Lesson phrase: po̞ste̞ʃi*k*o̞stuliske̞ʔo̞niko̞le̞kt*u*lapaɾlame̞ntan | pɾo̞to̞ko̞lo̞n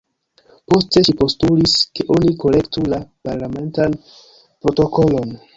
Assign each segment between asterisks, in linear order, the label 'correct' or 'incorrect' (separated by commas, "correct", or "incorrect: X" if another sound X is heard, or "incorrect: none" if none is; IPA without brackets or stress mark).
incorrect: p, correct